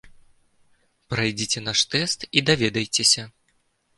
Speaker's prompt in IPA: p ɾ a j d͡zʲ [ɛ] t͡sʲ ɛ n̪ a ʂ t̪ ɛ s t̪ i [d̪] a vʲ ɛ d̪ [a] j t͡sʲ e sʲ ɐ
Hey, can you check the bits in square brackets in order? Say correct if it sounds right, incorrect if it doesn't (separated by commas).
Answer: incorrect, correct, incorrect